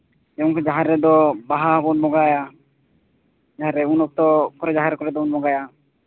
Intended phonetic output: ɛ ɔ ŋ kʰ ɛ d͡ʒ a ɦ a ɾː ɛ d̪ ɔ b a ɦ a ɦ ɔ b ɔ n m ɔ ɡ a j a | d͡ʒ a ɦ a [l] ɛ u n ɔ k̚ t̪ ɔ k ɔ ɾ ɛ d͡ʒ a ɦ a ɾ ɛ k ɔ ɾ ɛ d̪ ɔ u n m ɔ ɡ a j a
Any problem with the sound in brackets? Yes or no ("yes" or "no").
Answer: yes